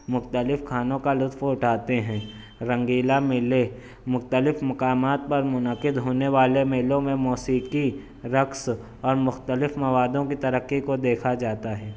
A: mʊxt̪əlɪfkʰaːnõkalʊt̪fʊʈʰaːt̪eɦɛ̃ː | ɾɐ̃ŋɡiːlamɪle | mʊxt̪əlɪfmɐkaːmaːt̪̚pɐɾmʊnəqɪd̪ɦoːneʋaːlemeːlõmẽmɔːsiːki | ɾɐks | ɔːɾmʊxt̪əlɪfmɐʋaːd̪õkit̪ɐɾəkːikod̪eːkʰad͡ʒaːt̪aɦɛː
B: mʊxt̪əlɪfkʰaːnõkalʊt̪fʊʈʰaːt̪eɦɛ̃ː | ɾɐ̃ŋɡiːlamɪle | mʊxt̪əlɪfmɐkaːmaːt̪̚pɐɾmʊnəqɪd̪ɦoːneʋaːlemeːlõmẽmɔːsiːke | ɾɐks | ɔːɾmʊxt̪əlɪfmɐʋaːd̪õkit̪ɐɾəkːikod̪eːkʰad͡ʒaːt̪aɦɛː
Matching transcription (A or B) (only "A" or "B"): A